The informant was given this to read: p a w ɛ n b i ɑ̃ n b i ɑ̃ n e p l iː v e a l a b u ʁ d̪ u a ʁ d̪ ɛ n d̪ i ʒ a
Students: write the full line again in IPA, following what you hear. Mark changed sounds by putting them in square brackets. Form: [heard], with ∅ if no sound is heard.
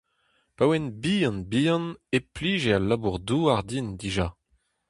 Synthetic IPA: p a w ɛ n b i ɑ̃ n b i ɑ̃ n e p l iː [ʒ] e a l a b u ʁ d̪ u a ʁ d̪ [i] n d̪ i ʒ a